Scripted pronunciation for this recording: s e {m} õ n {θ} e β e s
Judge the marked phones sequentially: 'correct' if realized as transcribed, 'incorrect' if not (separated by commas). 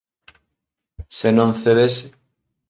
incorrect, correct